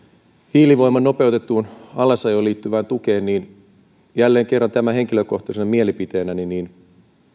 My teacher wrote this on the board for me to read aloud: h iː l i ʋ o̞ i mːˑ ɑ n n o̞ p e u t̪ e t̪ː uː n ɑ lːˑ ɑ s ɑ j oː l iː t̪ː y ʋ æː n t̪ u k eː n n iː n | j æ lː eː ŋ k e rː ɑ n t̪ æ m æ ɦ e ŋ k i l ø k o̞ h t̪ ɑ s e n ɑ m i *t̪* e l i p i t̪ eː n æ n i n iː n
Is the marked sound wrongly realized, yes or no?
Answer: yes